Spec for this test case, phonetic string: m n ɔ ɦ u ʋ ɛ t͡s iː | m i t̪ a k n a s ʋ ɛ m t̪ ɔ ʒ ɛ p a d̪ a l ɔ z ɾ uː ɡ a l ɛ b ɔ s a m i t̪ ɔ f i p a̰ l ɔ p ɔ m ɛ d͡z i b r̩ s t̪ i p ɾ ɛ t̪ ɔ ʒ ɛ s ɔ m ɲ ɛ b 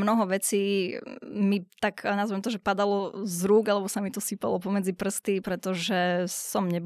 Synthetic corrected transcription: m n ɔ ɦ ɔ ʋ ɛ t͡s iː | m i t̪ a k n a z ʋ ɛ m t̪ ɔ ʒ ɛ p a d̪ a l ɔ z ɾ uː ɡ a l ɛ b ɔ s a m i t̪ ɔ s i p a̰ l ɔ p ɔ m ɛ d͡z i p r̩ s t̪ i p ɾ ɛ t̪ ɔ ʒ ɛ s ɔ m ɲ ɛ b